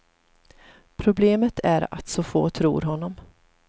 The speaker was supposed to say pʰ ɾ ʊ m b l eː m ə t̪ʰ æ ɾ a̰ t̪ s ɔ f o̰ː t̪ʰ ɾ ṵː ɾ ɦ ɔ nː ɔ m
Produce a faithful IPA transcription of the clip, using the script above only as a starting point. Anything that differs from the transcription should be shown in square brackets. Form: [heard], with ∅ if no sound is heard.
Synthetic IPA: pʰ ɾ ʊ [∅] b l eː m ə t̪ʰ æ ɾ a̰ t̪ s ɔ f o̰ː t̪ʰ ɾ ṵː ɾ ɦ ɔ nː ɔ m

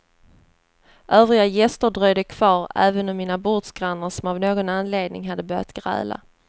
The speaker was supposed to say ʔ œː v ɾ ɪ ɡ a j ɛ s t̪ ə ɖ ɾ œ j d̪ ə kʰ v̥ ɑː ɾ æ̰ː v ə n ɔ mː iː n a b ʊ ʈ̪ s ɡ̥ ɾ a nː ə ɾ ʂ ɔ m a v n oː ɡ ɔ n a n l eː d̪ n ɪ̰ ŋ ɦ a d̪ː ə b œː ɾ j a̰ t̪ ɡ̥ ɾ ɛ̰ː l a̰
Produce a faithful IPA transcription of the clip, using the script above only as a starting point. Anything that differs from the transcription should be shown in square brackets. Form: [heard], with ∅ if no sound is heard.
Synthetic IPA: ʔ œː v ɾ ɪ ɡ a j ɛ s t̪ ə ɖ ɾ œ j d̪ ə kʰ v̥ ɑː ɾ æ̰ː v ə n ɔ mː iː n a b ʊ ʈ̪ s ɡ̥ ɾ a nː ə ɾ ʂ ɔ m a v n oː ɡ ɔ n a n l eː d̪ n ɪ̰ ŋ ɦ a d̪ː ə b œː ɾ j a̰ t̪ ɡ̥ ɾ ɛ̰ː l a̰

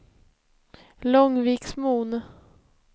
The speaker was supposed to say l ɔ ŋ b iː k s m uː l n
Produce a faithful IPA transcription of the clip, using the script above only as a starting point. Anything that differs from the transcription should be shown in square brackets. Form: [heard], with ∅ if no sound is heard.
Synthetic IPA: l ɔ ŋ [v] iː k s m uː [∅] n

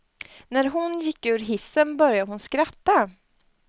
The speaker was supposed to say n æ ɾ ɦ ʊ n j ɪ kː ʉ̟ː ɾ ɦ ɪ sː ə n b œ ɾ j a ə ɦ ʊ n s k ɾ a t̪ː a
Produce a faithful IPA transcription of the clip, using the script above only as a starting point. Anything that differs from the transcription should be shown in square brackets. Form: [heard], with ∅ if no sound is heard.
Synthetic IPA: n æ ɾ ɦ ʊ n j ɪ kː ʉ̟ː ɾ ɦ ɪ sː ə n b œ ɾ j a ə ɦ ʊ n s k ɾ a t̪ː a

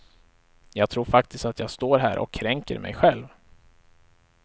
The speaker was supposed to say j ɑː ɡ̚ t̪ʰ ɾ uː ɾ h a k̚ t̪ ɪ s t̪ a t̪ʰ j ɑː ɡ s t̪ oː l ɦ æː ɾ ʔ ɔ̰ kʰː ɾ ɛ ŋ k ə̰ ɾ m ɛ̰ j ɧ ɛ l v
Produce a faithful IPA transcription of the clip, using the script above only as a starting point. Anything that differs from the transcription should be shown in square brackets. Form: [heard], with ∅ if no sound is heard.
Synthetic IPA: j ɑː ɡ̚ t̪ʰ ɾ uː ɾ [f] a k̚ t̪ ɪ s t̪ a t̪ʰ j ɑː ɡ s t̪ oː [ɾ] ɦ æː ɾ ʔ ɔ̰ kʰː ɾ ɛ ŋ k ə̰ ɾ m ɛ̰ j ɧ ɛ l v

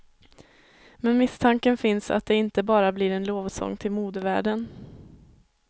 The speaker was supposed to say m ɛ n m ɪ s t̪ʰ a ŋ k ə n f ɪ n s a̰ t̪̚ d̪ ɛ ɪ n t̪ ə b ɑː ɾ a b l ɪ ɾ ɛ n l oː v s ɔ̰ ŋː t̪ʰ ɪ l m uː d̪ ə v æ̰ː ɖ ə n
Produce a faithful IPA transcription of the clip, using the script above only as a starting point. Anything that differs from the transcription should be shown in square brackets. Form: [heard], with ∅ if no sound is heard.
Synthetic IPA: m ɛ n m ɪ s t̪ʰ a ŋ k ə n f ɪ n s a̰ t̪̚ d̪ ɛ ɪ n t̪ ə b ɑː ɾ a b l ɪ ɾ ɛ n l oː v s ɔ̰ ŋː t̪ʰ ɪ l m uː d̪ ə v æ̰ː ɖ ə n

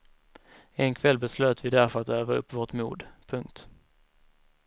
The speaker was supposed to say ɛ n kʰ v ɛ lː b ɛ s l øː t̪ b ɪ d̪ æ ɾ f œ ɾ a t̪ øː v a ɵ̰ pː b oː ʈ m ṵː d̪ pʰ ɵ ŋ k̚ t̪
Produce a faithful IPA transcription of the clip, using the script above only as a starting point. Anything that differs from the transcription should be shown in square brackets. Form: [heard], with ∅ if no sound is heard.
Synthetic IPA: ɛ n kʰ v ɛ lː b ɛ s l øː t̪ [v] ɪ d̪ æ ɾ f œ ɾ a t̪ øː v a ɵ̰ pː [v] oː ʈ m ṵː d̪ pʰ ɵ ŋ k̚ t̪

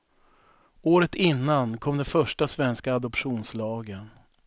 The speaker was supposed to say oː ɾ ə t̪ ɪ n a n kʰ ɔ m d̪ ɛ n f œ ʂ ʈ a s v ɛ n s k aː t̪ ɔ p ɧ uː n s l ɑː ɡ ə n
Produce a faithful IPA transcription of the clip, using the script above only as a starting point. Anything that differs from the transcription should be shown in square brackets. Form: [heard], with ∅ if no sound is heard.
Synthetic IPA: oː ɾ ə t̪ ɪ [nː] a n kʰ ɔ m d̪ ɛ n f œ ʂ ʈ a s v ɛ n s k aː [d̪] ɔ p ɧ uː n s l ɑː ɡ ə n

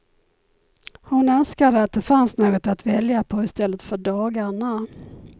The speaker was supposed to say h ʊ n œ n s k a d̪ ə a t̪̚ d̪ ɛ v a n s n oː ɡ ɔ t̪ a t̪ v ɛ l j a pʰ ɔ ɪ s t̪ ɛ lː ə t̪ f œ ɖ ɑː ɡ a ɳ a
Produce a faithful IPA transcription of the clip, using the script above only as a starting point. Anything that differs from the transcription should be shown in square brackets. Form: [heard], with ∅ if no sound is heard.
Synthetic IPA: h ʊ n œ n s k a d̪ ə a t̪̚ d̪ ɛ [f] a n s n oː ɡ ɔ t̪ a t̪ v ɛ l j a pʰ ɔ ɪ s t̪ ɛ lː ə t̪ f œ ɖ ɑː ɡ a ɳ a

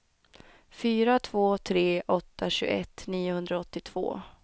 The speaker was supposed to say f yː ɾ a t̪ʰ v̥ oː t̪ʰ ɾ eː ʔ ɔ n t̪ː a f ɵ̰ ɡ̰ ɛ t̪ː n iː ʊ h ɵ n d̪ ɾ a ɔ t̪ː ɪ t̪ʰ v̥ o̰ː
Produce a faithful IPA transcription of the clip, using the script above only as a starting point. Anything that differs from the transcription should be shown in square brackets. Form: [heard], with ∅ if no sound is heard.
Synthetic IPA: f yː ɾ a t̪ʰ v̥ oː t̪ʰ ɾ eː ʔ ɔ [∅] t̪ː a [ɕ] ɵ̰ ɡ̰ ɛ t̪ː n iː ʊ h ɵ n d̪ ɾ a ɔ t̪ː ɪ t̪ʰ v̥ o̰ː

